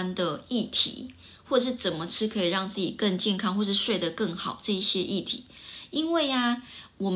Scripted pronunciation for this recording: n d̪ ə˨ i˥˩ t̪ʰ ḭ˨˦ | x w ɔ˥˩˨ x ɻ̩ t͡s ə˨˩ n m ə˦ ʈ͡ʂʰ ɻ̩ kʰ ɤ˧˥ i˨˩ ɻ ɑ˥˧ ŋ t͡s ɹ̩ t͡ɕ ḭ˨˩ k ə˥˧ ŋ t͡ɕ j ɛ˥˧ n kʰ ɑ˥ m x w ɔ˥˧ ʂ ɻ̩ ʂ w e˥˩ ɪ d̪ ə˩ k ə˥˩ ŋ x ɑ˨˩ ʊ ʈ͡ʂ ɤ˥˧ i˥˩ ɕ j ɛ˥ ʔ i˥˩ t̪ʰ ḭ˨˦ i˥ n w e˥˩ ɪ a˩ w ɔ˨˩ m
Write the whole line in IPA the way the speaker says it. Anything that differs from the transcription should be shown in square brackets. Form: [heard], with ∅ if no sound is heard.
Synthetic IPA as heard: n d̪ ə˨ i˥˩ t̪ʰ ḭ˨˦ | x w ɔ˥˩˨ [ʂ] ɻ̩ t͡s ə˨˩ n m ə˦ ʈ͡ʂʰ ɻ̩ kʰ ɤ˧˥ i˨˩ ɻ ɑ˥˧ ŋ t͡s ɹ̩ t͡ɕ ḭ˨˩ k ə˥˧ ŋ t͡ɕ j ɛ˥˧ n kʰ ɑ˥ [ŋ] x w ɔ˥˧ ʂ ɻ̩ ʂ w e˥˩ ɪ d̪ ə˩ k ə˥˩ ŋ x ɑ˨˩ ʊ ʈ͡ʂ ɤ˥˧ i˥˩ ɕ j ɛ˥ ʔ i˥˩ t̪ʰ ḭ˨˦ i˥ n w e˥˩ ɪ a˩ w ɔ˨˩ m